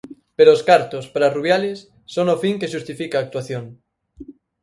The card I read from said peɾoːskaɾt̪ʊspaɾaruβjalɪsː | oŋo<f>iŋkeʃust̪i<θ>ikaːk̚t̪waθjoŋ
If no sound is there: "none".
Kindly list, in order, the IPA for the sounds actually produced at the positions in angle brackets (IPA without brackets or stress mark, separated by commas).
f, f